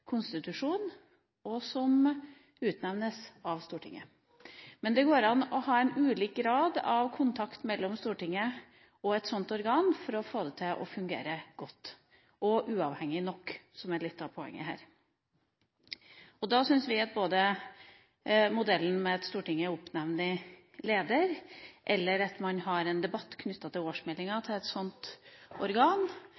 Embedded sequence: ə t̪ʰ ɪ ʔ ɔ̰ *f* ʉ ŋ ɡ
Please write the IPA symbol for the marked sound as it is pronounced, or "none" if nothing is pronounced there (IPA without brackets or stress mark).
f